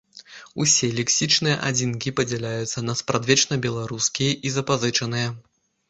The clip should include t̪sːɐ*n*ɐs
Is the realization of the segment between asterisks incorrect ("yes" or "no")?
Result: no